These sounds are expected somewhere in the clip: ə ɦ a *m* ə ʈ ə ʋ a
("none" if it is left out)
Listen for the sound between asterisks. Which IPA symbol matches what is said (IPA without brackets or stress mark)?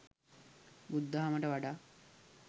m